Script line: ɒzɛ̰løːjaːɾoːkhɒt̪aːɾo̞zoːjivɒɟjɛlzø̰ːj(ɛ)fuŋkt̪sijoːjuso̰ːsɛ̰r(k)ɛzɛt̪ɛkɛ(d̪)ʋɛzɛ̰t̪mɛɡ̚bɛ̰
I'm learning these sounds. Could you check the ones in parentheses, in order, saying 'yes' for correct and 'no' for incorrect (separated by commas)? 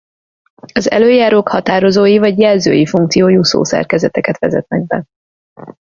no, yes, no